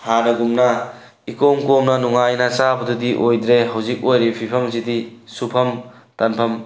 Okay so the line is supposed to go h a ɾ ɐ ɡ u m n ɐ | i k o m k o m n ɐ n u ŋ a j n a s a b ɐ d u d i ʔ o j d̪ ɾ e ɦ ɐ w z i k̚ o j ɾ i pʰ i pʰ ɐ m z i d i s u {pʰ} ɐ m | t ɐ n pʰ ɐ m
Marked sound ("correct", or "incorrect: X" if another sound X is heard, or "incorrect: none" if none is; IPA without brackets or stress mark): correct